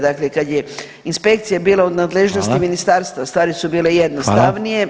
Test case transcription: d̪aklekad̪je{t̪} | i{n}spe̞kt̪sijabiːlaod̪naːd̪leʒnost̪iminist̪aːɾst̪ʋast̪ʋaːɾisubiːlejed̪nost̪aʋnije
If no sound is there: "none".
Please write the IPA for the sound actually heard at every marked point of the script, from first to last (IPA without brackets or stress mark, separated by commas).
none, n